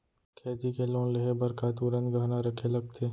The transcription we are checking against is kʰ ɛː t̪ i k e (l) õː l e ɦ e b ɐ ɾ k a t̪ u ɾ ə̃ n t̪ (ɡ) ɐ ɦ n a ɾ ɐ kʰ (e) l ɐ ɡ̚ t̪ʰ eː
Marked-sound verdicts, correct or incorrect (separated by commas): correct, correct, correct